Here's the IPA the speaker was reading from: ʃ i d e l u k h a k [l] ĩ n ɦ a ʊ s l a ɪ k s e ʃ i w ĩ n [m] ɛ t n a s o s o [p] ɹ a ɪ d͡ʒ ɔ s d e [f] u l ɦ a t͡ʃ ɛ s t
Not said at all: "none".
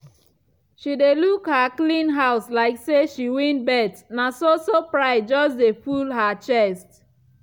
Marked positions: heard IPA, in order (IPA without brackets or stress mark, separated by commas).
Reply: l, b, p, f